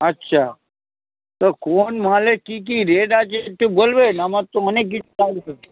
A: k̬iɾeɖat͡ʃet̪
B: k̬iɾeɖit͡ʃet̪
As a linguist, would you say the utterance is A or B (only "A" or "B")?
A